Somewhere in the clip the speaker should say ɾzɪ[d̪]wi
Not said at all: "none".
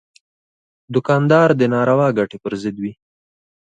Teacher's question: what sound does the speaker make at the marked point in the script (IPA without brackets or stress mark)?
d̪